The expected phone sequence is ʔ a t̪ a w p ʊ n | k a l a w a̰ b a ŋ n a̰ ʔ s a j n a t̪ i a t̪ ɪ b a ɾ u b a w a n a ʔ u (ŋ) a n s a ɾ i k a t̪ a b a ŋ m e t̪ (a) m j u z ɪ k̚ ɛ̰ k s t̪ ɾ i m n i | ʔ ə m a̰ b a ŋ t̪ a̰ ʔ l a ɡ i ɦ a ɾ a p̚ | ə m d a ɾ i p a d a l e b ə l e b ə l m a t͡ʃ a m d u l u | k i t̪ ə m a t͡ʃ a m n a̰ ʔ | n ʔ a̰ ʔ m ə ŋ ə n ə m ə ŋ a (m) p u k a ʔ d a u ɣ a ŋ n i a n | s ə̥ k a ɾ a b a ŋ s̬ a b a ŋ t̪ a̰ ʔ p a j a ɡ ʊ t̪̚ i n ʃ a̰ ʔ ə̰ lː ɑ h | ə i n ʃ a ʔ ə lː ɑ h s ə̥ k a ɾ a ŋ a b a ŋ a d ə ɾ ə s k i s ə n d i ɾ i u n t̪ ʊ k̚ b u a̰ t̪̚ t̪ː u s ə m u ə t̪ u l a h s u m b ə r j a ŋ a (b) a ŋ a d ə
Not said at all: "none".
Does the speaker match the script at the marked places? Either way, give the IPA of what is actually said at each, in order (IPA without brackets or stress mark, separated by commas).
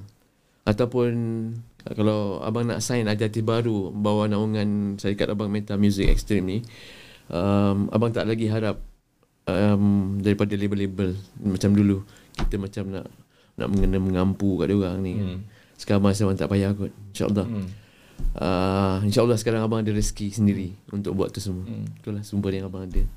ŋ, a, m, b